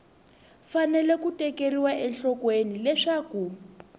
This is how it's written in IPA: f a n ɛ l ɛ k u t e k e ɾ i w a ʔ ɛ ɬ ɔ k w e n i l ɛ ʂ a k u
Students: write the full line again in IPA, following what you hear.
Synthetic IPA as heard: f a n ɛ l ɛ k u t ɛ k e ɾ i w a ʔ ɛ ɬ ɔ k w e n i l ɛ ʂ a k u